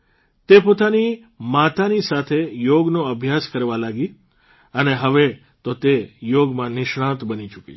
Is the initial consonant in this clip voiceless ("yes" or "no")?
yes